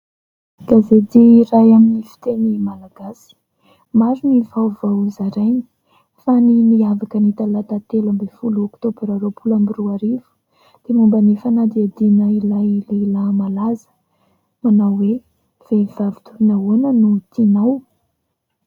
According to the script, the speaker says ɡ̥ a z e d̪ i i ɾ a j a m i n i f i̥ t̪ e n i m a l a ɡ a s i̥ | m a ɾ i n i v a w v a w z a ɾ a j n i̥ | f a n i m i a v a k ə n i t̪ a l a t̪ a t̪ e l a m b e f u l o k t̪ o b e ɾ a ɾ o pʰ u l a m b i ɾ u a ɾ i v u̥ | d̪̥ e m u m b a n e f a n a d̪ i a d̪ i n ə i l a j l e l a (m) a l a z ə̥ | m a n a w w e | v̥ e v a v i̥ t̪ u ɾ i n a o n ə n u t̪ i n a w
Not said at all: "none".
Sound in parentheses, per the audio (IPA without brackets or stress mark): m